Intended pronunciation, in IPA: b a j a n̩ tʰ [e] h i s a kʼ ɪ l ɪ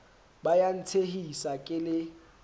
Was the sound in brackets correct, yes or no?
yes